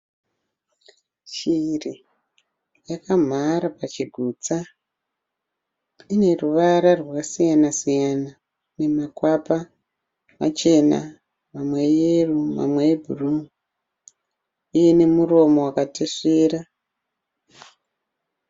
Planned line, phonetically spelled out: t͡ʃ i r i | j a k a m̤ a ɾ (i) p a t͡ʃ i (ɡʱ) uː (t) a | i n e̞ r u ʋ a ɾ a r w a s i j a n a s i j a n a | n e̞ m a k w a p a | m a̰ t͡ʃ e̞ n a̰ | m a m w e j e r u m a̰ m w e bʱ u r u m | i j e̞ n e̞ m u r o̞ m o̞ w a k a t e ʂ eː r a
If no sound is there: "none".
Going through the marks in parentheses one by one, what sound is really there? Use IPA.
a, ɡʱ, t͡s

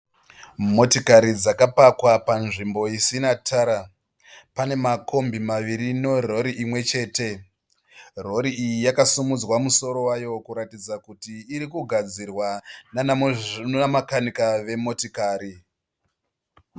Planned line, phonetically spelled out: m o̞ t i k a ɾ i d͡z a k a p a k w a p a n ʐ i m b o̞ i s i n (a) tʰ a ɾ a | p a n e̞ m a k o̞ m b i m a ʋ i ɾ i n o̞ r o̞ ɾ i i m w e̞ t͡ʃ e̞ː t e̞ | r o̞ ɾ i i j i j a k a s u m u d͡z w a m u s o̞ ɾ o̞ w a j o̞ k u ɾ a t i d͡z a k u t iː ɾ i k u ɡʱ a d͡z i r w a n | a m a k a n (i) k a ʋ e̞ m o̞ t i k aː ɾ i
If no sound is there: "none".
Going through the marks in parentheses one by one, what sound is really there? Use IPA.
a, i

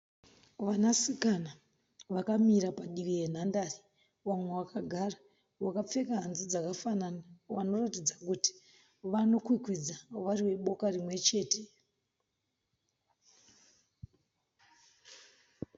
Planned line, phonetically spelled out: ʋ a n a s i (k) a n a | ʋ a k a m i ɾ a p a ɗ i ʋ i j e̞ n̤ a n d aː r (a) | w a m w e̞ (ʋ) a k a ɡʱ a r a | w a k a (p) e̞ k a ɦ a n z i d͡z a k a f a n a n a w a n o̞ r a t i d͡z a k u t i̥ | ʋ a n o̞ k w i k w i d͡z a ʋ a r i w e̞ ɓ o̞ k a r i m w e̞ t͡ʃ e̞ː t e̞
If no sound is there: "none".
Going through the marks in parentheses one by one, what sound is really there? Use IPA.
k, i, w, p͡f

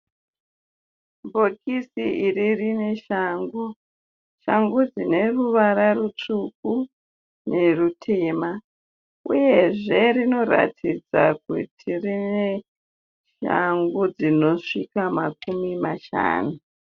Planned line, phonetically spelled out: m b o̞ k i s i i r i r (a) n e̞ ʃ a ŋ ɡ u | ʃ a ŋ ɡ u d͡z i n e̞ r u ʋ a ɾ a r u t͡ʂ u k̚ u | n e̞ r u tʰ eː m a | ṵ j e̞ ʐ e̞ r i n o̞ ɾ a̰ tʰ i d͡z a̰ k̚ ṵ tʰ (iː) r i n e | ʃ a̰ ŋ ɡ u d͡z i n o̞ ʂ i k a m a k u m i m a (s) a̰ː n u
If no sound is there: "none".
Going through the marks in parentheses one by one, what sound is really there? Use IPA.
i, i, ʃ

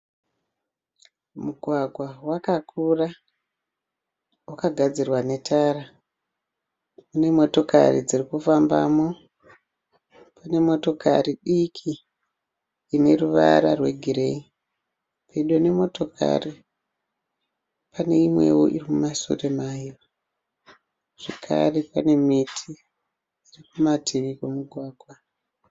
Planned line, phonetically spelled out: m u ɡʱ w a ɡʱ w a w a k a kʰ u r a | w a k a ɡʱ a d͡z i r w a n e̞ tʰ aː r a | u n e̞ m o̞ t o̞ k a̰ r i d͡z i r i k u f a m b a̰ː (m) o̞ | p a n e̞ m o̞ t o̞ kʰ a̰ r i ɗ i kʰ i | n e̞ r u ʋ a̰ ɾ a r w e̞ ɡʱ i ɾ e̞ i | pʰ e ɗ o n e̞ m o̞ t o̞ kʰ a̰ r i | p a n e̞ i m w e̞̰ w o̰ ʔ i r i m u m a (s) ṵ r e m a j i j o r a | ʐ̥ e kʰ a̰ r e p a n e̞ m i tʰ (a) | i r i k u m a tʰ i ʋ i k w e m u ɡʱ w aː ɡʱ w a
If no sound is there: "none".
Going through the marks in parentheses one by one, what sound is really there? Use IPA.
m, s, i

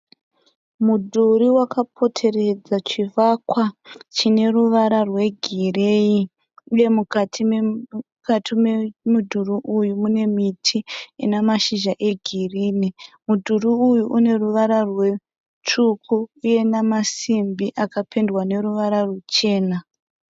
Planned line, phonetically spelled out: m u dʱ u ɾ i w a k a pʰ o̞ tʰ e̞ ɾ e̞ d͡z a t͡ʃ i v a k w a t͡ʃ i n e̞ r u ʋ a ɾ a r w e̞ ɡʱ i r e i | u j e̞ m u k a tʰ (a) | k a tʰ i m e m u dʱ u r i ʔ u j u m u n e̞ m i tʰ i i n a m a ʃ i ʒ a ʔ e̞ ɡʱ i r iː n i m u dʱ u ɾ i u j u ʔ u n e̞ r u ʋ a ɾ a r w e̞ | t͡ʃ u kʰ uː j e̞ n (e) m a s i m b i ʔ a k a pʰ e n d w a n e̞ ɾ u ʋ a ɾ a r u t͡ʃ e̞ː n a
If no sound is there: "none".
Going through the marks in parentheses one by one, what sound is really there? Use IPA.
i, a

